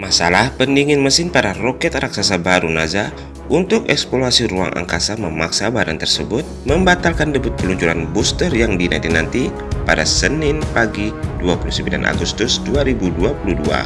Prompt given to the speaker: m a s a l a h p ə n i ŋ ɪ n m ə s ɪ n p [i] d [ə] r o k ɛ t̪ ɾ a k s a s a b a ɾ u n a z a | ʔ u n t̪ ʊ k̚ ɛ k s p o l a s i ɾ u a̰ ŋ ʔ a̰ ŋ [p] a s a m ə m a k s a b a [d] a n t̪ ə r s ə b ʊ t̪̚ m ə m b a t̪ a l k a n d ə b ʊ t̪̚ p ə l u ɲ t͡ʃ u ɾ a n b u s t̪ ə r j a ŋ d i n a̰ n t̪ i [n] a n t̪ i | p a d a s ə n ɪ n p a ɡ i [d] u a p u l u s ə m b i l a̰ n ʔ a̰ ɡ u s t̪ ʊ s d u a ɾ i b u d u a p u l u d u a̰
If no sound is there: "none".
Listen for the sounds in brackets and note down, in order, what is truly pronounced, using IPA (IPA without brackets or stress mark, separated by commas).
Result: a, a, k, d, n, d